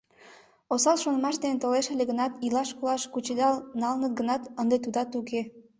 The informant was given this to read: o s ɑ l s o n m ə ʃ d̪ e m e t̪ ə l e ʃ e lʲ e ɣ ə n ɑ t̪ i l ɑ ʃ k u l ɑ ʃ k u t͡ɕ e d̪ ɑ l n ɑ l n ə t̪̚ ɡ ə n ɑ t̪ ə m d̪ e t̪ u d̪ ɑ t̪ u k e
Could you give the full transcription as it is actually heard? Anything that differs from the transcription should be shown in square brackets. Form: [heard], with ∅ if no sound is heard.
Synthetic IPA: o s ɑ l [ʃ] o n m [ɑ] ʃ d̪ e [n] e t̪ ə l e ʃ e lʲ e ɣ ə n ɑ t̪ i l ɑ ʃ k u l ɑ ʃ k u t͡ɕ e d̪ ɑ l n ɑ l n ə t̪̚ ɡ ə n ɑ t̪ ə [n] d̪ e t̪ u d̪ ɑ t̪ u k e